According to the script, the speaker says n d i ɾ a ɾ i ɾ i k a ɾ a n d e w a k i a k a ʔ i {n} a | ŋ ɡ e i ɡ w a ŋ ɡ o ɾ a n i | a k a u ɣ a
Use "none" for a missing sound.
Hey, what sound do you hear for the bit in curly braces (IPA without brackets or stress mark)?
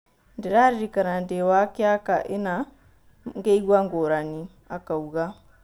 n